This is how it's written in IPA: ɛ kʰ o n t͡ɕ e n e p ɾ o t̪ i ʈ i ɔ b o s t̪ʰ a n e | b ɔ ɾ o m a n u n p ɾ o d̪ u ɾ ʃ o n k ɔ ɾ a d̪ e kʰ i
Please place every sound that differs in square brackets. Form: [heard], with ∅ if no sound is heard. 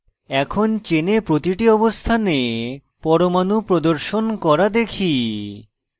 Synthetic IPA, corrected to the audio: ɛ kʰ o n t͡ɕ e n e p ɾ o t̪ i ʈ i ɔ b o s t̪ʰ a n e | [p] ɔ ɾ o m a n u [∅] p ɾ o d̪ [o] ɾ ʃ o n k ɔ ɾ a d̪ e kʰ i